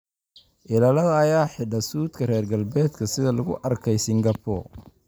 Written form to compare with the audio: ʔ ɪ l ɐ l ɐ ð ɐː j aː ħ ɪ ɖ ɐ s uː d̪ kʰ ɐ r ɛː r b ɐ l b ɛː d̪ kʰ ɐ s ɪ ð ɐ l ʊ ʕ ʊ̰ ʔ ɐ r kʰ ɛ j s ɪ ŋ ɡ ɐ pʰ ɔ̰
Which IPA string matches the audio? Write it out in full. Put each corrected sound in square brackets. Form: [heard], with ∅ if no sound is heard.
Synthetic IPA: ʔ ɪ l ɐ l ɐ ð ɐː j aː ħ ɪ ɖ ɐ s uː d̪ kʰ ɐ r ɛː r [ɡ] ɐ l b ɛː d̪ kʰ ɐ s ɪ ð ɐ l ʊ [ɣ] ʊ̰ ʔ ɐ r kʰ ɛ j s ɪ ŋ ɡ ɐ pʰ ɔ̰